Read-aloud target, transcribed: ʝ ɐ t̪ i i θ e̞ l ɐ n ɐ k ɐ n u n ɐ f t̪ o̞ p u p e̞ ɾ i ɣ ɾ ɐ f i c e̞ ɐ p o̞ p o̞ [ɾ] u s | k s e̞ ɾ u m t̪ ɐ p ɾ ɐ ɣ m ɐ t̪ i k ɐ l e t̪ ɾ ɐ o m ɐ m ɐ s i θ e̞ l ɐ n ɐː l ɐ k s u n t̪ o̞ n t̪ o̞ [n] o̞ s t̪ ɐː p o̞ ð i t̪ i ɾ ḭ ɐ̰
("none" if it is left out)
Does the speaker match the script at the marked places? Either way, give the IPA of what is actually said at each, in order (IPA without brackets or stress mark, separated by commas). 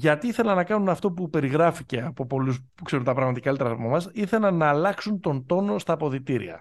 l, n